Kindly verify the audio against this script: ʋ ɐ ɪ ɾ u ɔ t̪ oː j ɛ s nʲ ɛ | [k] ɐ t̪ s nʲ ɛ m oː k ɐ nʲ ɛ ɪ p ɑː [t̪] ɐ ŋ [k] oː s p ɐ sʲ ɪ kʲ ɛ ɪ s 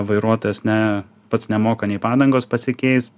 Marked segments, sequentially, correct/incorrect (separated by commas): incorrect, incorrect, incorrect